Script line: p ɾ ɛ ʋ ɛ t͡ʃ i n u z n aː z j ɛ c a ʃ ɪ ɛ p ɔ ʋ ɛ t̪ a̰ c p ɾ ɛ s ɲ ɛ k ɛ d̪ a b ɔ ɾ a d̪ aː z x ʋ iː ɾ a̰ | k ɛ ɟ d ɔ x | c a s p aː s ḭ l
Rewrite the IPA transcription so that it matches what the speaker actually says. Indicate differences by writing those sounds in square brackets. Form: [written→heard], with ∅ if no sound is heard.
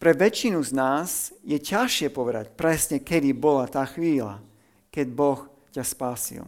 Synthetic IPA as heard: p ɾ ɛ ʋ ɛ t͡ʃ i n u z n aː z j ɛ c a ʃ ɪ ɛ p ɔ ʋ ɛ [t̪→d̪] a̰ c p ɾ ɛ s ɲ ɛ k ɛ d̪ [a→i] b ɔ [ɾ→l] a [d̪→t̪] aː [z→∅] x ʋ iː [ɾ→l] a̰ | k ɛ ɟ [d→b] ɔ x | c a s p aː s ḭ l